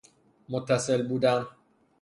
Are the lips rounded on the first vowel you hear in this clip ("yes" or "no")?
yes